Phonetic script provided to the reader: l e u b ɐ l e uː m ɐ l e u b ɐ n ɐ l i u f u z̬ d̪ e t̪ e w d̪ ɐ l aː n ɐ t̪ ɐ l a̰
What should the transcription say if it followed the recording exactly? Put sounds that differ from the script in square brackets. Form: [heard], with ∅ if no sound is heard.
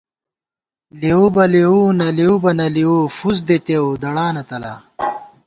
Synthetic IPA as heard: l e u b ɐ l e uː [n] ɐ l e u b ɐ n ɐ l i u f u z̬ d̪ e t̪ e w d̪ ɐ [ɽ] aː n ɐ t̪ ɐ l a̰

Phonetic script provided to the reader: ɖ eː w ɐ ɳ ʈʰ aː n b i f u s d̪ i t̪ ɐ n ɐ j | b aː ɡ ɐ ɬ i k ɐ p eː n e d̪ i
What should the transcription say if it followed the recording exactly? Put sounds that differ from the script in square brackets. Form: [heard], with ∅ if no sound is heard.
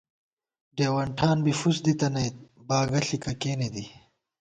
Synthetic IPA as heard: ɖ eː w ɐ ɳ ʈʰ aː n b i f u s d̪ i t̪ ɐ n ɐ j | b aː ɡ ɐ ɬ i k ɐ [k] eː n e d̪ i

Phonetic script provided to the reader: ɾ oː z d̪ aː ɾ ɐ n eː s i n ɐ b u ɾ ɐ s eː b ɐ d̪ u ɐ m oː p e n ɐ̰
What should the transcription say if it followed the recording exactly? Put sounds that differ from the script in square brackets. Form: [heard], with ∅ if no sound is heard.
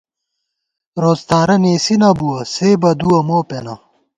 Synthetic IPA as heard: ɾ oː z [t̪] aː ɾ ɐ n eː s i n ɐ b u [∅] ɐ s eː b ɐ d̪ u ɐ m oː p e n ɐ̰

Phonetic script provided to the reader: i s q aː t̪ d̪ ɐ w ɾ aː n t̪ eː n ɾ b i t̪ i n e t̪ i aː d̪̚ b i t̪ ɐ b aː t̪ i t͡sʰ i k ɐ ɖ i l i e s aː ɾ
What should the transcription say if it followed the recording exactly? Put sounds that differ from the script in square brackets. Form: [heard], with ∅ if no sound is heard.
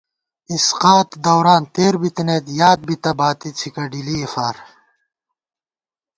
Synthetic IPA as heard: i s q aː t̪ d̪ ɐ w ɾ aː n t̪ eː [∅] ɾ b i t̪ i n e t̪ [j] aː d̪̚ b i t̪ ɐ b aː t̪ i t͡sʰ i k ɐ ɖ i l i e [f] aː ɾ

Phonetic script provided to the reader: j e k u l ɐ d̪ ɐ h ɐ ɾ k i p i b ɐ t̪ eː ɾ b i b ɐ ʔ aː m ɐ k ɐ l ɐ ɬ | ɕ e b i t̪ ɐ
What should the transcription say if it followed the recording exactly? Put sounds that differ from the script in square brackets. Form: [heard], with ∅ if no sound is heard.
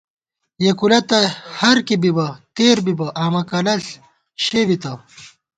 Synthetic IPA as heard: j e k u l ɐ [t̪] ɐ h ɐ ɾ k i [b] i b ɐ t̪ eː ɾ b i b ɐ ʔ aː m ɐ k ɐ l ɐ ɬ | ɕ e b i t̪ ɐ

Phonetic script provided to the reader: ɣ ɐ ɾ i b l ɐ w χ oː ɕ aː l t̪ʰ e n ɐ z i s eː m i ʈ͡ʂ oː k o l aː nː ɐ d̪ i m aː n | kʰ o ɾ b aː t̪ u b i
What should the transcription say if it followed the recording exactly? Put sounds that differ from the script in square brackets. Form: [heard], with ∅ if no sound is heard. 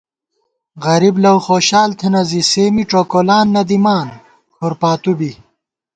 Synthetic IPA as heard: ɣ ɐ ɾ i b l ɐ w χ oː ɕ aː l t̪ʰ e n ɐ z i s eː m i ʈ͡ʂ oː k o l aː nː ɐ d̪ i m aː n | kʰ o ɾ [p] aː t̪ u b i

